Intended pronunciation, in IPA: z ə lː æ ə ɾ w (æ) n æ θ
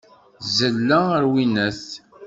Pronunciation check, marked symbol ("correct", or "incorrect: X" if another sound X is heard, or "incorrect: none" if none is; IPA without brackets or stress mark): incorrect: i